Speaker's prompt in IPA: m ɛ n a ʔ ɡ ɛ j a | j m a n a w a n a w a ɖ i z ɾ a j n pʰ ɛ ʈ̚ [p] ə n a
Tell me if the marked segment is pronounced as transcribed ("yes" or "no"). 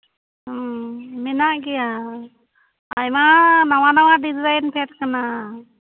no